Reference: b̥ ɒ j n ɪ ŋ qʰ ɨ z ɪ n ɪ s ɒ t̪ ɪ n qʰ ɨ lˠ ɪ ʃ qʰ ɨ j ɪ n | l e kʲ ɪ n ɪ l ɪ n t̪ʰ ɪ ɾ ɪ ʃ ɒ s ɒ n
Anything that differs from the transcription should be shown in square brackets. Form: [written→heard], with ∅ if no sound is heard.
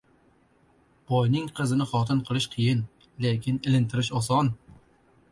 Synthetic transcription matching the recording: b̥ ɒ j n ɪ ŋ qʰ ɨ z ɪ n ɪ [s→χ] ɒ t̪ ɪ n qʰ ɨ lˠ ɪ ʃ qʰ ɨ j ɪ n | l e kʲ ɪ n ɪ l ɪ n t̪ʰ ɪ ɾ ɪ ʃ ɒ s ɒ n